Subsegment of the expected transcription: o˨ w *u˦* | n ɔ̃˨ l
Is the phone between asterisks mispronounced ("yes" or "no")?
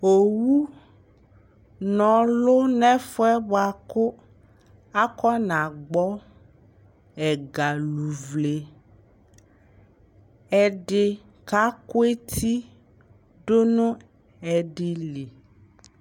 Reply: no